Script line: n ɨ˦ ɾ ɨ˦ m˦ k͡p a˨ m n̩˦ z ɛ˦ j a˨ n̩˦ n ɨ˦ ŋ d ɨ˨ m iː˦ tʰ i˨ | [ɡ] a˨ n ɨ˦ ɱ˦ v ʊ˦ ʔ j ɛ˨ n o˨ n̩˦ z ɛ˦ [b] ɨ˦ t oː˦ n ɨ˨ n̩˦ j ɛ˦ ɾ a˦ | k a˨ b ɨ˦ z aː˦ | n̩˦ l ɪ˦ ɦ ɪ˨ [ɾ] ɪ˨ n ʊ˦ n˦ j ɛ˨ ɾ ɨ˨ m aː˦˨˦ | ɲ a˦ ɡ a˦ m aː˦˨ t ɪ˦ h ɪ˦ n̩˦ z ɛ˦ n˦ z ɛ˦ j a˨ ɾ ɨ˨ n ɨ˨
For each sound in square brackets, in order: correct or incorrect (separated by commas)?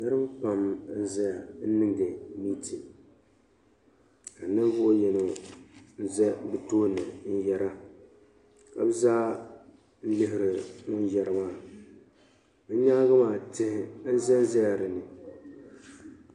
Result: incorrect, correct, correct